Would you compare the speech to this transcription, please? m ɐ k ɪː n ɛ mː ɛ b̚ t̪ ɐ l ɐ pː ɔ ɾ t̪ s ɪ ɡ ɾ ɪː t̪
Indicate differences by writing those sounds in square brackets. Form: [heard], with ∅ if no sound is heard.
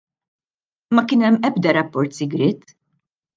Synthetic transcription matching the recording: m ɐ k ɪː n ɛ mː ɛ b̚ [d̪] ɐ [ɾ] ɐ pː ɔ ɾ t̪ s ɪ ɡ ɾ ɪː t̪